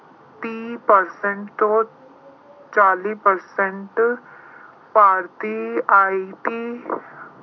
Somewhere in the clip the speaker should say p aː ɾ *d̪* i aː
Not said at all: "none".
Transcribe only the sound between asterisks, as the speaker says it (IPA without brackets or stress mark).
t̪